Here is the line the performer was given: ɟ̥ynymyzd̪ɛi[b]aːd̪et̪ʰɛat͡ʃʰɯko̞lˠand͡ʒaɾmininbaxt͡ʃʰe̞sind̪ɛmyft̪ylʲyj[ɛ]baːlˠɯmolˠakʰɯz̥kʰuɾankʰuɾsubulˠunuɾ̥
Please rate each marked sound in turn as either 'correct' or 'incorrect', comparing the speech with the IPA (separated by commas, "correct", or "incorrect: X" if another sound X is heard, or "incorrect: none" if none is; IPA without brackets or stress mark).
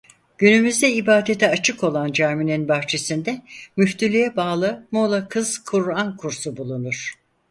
correct, correct